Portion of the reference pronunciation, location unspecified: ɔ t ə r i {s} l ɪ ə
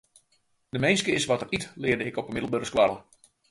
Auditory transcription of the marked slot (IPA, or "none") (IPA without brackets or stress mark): t